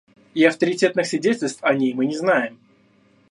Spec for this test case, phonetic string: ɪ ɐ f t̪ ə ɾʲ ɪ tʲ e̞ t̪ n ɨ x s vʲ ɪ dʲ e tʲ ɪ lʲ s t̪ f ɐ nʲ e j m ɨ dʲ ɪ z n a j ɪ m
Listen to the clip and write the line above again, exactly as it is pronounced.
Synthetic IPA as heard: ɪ ɐ f t̪ ə ɾʲ ɪ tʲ e̞ t̪ n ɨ x s vʲ ɪ dʲ e tʲ ɪ lʲ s t̪ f ɐ nʲ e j m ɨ nʲ ɪ z n a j ɪ m